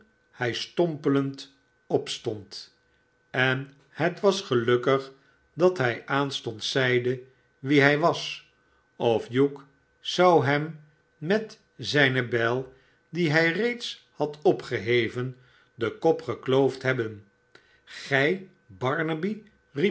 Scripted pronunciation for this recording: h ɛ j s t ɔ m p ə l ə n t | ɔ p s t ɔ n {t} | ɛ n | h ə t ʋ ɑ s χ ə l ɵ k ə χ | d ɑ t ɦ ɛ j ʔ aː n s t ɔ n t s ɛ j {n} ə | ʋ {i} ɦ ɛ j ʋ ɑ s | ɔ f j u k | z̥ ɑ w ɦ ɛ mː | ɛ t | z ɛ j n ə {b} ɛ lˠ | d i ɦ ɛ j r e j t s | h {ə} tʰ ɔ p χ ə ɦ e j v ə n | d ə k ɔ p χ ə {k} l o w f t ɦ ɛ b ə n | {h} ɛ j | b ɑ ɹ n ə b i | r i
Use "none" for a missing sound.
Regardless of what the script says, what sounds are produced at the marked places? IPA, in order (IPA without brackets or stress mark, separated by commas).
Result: t, d, i, b, ɑ, k, χ